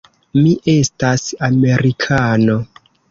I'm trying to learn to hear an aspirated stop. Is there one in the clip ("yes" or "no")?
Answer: yes